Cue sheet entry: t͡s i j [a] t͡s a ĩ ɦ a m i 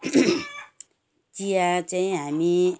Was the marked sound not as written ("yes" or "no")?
no